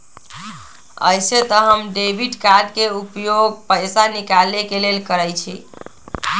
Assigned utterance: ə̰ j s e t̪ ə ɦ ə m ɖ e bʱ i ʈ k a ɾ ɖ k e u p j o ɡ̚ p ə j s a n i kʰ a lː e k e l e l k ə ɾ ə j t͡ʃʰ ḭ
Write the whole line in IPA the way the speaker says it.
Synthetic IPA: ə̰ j s e t̪ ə ɦ ə m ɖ e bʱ i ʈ k a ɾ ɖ k e u p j o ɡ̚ p ə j s a n i k a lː e k e l e l k ə ɾ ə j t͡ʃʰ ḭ